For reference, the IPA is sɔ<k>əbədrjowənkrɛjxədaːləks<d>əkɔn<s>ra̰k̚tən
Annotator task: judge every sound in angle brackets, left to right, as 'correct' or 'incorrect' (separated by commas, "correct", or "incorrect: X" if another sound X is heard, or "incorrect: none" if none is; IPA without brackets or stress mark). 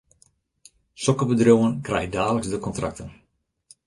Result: correct, correct, incorrect: t